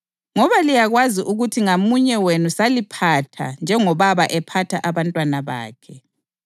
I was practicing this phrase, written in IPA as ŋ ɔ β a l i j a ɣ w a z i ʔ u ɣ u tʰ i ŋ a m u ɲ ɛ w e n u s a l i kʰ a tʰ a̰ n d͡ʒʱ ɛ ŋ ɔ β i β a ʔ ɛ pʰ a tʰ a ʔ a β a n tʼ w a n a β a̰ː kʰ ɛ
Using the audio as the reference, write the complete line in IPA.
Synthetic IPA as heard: ŋ ɔ β a l i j a ɣ w a z i ʔ u ɣ u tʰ i ŋ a m u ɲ ɛ w e n u s a l i pʰ a tʰ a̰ n d͡ʒʱ ɛ ŋ ɔ β a β a ʔ ɛ pʰ a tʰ a ʔ a β a n tʼ w a n a β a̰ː kʰ ɛ